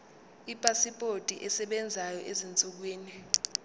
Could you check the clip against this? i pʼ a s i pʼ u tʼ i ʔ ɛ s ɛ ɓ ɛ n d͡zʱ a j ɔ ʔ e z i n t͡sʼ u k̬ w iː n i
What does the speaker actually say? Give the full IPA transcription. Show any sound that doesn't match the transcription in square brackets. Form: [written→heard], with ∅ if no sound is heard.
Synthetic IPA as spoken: i pʼ a s i pʼ [u→o] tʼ i ʔ ɛ s ɛ ɓ ɛ n d͡zʱ a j ɔ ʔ e z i n t͡sʼ u k̬ w iː n i